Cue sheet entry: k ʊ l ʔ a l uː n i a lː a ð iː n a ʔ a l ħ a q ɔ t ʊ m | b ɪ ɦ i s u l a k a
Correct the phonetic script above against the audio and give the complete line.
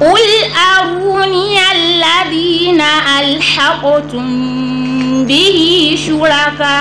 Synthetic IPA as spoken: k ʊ l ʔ a ɾ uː n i a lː a ð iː n a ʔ a l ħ a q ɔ t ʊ m | b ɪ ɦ i ʃ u ɾ a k a